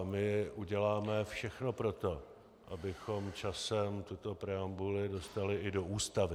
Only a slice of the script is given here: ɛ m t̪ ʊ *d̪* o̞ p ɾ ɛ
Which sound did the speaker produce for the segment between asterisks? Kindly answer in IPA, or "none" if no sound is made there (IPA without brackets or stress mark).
t̪